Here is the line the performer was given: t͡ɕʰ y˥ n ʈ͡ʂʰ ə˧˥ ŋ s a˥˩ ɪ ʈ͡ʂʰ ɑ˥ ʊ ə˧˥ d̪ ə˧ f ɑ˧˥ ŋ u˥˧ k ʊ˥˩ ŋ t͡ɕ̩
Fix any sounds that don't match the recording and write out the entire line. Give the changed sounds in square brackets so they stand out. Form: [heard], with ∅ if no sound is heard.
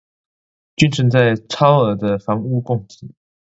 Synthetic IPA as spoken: [t͡ɕ] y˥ n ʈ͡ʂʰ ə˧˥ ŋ [t͡s] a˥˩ ɪ ʈ͡ʂʰ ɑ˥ ʊ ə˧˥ d̪ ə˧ f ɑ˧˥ ŋ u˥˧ k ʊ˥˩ ŋ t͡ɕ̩